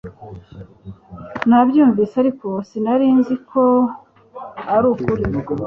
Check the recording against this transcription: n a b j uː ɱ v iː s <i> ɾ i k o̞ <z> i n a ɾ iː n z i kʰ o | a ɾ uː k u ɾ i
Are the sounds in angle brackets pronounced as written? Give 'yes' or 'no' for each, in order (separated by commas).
no, no